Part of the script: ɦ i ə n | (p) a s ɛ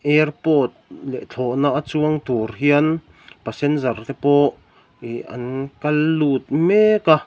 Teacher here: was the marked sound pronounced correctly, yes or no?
yes